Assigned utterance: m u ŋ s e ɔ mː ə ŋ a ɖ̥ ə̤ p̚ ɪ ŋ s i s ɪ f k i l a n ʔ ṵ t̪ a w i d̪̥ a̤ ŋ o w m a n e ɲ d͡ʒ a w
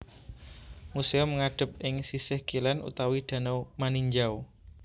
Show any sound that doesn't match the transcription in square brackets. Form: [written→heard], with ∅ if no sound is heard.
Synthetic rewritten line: m u [ŋ→∅] s e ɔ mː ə ŋ a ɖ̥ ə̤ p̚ ɪ ŋ s i s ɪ [f→h] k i l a n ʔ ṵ t̪ a w i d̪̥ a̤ [ŋ→n] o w m a n [e→i] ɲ d͡ʒ a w